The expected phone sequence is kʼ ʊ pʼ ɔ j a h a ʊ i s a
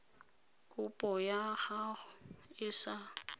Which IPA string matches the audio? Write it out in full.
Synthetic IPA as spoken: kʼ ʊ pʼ ɔ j a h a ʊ ɪ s a